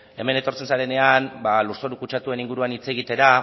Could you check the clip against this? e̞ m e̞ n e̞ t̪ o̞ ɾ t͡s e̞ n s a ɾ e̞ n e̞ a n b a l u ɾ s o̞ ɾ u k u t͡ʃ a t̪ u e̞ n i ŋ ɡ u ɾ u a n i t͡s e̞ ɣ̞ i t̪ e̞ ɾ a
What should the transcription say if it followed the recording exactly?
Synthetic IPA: e̞ m e̞ n e̞ t̪ o̞ ɾ t͡s e̞ n s a ɾ e̞ n e̞ a n b a l u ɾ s o̞ ɾ u k u t͡ʃ a t̪ u e̞ n i ŋ ɡ u ɾ u a n i t͡s e̞ ɣ̞ i t̪ e̞ ɾ a